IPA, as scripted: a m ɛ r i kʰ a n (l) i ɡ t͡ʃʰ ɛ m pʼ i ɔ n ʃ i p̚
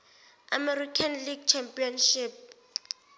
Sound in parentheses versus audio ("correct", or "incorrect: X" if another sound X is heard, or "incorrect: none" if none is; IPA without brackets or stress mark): correct